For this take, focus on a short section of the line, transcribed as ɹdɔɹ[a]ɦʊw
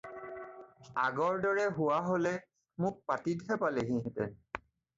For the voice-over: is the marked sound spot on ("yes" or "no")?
no